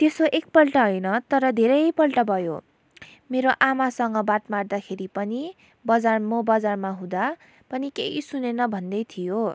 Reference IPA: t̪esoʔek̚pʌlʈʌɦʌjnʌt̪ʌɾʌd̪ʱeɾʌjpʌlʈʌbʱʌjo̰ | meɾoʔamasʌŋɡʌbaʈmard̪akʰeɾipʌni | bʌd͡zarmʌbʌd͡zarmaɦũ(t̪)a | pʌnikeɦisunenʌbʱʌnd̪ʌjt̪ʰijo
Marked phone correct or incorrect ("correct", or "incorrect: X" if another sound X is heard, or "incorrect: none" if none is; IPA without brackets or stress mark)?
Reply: incorrect: d̪